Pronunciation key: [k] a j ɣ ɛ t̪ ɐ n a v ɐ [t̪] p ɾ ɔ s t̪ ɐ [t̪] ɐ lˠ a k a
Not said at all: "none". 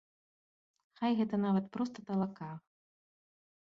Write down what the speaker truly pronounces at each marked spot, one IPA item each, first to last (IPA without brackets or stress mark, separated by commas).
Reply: x, t̪, t̪